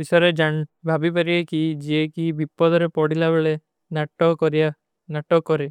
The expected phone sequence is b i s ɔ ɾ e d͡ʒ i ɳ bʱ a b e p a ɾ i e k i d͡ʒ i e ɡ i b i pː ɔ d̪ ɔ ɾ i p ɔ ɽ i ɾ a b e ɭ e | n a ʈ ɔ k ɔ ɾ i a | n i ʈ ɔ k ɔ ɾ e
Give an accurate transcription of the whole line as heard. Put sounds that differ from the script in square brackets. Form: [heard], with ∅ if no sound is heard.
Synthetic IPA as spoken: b i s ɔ ɾ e d͡ʒ [a] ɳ bʱ a b [i] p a ɾ i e k i d͡ʒ i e [k] i b i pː ɔ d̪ ɔ ɾ [e] p ɔ ɽ i [l] a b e ɭ e | n a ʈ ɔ k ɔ ɾ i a | n [a] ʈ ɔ k ɔ ɾ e